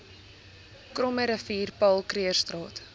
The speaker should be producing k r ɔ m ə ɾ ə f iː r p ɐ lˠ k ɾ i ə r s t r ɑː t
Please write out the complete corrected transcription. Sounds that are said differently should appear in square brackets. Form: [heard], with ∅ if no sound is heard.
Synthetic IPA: k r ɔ m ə ɾ ə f iː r p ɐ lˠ k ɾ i ə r s t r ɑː t